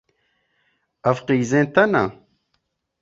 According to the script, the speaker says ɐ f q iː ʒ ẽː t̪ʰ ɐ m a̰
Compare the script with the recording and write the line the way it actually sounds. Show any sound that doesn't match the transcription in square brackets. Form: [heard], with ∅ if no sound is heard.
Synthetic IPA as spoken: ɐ f q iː [z] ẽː [t̪] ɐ [n] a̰

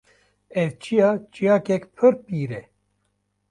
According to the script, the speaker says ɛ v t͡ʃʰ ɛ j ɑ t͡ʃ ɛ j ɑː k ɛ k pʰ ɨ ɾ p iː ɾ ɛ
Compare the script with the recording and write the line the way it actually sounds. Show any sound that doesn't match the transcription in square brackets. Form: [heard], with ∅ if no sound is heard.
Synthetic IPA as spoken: ɛ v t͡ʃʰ [i] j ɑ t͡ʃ [i] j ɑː k ɛ k pʰ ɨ ɾ p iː ɾ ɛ

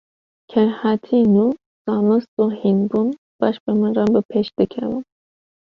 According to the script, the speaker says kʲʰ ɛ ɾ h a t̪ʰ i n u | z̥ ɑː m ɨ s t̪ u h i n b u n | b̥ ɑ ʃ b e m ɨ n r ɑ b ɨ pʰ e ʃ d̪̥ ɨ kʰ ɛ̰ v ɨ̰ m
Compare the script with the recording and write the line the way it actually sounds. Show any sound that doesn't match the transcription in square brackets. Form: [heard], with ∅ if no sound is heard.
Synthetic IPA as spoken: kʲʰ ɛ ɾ h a t̪ʰ i n u | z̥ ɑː m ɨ s t̪ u h i n b u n | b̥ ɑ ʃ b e m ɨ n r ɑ b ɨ pʰ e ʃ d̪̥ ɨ kʰ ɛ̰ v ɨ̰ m

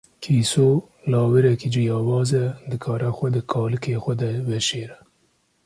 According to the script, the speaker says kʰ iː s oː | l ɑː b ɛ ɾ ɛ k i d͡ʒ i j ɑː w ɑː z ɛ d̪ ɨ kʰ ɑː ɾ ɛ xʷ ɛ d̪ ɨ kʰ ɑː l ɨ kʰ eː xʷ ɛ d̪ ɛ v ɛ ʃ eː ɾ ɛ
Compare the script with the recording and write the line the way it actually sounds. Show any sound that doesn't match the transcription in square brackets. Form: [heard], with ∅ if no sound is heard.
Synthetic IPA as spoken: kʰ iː s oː | l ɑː [w] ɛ ɾ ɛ k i d͡ʒ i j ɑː w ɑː z ɛ d̪ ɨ kʰ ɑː ɾ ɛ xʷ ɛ d̪ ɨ kʰ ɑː l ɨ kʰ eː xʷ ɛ d̪ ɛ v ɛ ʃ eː ɾ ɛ

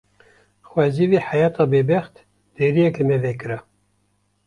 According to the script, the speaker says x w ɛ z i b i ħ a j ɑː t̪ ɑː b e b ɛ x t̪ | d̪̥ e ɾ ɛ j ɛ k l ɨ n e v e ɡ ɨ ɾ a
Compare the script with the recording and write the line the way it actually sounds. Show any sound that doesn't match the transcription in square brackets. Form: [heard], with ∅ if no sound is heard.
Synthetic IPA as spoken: x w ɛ z i [v] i ħ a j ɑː t̪ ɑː b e b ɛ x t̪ | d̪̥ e ɾ [i] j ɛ k l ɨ [m] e v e [k] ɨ ɾ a

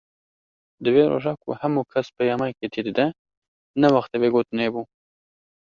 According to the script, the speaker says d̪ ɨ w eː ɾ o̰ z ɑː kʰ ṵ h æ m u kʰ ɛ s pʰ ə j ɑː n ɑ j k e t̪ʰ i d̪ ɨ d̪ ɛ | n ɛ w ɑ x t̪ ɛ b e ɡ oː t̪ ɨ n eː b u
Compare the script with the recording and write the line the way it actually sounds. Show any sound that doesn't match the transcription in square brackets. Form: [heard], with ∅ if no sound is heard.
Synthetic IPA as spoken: d̪ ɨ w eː ɾ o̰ [ʒ] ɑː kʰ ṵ h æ m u kʰ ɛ s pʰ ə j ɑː [m] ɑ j k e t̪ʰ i d̪ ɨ d̪ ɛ | n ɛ w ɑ x t̪ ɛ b e ɡ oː t̪ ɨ n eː b u

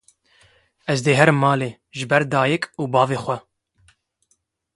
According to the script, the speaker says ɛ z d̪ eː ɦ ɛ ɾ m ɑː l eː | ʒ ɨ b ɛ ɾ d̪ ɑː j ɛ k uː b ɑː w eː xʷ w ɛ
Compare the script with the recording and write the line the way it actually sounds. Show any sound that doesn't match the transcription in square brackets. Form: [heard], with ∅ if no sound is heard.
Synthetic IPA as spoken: ɛ z d̪ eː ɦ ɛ ɾ m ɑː l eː | ʒ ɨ b ɛ ɾ d̪ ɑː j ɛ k uː b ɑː [v] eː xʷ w ɛ

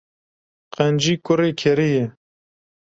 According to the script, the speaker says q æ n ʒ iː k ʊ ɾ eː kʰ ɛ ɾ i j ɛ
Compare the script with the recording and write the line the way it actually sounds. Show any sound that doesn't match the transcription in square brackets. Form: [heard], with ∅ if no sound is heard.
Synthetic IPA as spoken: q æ n [d͡ʒ] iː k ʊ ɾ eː kʰ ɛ ɾ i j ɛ

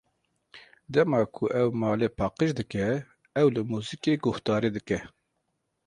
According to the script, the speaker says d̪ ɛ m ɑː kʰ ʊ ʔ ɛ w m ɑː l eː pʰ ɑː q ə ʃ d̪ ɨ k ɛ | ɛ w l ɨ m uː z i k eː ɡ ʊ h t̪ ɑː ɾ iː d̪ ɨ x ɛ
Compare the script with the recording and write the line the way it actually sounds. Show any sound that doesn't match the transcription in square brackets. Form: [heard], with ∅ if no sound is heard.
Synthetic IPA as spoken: d̪ ɛ m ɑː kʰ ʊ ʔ ɛ w m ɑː l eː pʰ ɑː q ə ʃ d̪ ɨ k ɛ | ɛ w l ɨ m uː z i k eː ɡ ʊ h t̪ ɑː ɾ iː d̪ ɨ [k] ɛ

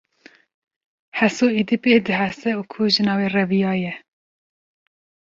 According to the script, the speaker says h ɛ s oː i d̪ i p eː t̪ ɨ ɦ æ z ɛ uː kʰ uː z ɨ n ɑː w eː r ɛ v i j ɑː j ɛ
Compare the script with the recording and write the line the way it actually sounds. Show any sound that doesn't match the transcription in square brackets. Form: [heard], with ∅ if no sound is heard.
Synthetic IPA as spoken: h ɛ s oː i d̪ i p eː [d̪] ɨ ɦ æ [s] ɛ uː kʰ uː [ʒ] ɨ n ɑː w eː r ɛ v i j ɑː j ɛ

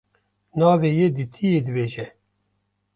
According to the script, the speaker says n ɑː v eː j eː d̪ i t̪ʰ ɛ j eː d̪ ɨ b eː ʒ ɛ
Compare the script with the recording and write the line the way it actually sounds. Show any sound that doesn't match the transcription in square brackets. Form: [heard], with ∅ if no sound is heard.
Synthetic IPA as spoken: n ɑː v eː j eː d̪ i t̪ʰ [i] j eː d̪ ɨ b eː ʒ ɛ

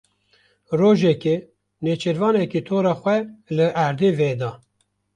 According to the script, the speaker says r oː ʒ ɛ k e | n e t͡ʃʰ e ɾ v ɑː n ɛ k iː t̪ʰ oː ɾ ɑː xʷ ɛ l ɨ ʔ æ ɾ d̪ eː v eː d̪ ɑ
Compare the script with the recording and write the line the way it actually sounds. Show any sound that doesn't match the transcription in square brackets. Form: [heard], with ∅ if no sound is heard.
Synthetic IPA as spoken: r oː ʒ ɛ k e | n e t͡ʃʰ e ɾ v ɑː n ɛ k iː t̪ʰ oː ɾ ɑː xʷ ɛ l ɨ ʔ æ ɾ d̪ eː v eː d̪ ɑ

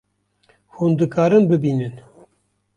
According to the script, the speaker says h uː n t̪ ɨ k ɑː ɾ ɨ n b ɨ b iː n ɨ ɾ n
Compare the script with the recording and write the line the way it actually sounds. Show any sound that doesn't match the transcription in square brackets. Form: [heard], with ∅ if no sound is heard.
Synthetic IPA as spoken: h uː n [d̪] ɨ k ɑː ɾ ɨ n b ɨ b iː n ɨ [∅] n

